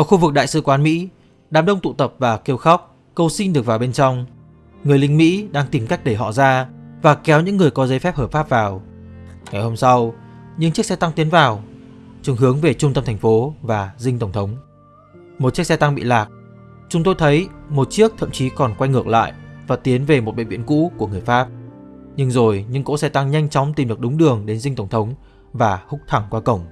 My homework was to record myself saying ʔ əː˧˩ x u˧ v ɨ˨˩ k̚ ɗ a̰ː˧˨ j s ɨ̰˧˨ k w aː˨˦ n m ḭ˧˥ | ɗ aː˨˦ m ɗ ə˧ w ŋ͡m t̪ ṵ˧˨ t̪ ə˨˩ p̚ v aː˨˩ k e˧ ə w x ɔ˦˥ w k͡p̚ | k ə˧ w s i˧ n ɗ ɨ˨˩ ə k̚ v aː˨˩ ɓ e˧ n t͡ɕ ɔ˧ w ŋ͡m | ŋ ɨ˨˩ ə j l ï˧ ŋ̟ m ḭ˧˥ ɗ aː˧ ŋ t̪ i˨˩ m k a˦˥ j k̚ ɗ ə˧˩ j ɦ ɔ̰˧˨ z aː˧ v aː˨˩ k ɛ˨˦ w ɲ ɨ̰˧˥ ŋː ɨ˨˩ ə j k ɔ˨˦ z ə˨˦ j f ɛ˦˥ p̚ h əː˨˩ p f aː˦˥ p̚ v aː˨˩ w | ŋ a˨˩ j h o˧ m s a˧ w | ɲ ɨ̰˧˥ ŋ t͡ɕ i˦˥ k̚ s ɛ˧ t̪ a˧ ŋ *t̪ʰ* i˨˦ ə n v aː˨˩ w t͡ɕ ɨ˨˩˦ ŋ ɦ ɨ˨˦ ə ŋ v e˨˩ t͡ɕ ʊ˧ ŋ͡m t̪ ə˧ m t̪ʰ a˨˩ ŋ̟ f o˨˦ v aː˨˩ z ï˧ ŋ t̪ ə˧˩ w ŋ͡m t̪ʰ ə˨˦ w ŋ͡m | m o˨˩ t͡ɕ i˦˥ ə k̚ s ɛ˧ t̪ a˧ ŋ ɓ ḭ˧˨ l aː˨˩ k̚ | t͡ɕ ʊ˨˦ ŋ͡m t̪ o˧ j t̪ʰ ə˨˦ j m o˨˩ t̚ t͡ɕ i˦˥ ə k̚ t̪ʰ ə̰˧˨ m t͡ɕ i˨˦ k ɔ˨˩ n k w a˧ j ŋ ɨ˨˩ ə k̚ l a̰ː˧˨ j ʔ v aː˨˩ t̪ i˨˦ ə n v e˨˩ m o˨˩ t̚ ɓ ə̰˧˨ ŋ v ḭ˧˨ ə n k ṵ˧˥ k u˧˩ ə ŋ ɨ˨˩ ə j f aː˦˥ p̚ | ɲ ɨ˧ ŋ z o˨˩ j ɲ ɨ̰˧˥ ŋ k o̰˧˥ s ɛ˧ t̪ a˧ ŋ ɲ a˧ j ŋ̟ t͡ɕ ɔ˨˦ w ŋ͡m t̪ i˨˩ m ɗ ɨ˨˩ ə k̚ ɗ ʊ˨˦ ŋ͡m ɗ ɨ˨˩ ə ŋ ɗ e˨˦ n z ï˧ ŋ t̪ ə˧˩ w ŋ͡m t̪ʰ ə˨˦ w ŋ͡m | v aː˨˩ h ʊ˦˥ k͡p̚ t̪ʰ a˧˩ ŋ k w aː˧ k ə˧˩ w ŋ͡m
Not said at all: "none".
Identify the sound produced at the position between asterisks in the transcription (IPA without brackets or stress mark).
t̪